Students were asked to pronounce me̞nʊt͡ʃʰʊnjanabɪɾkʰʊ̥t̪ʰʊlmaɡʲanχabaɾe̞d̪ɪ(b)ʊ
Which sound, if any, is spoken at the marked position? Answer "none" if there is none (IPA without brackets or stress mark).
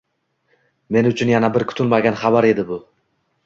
b